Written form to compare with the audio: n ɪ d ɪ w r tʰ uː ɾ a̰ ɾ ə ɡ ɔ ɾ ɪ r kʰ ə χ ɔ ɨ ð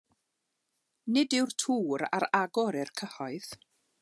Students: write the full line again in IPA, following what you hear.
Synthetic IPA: n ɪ d ɪ w r tʰ uː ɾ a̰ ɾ a ɡ ɔ ɾ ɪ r kʰ ə h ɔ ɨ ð